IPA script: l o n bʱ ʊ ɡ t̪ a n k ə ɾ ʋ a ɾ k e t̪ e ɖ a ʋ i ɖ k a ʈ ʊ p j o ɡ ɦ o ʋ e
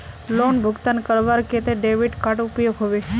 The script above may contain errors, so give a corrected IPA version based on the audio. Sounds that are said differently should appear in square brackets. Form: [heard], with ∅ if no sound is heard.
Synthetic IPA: l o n bʱ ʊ ɡ t̪ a n k ə ɾ ʋ a ɾ k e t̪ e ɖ [e] ʋ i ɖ k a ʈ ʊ p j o ɡ ɦ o ʋ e